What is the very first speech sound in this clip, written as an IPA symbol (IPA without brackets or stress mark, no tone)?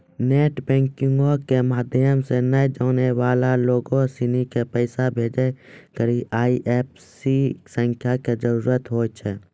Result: n